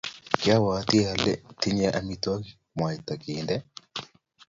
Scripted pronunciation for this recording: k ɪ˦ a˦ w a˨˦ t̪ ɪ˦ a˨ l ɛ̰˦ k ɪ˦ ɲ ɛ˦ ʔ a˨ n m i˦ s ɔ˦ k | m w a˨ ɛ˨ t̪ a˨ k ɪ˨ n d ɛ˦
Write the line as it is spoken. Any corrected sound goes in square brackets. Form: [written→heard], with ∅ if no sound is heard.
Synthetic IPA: k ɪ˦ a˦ w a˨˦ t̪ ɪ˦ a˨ l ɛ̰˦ [k→t] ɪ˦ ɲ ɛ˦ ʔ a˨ [n→∅] m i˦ [s→t] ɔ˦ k | m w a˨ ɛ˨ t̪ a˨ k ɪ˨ n d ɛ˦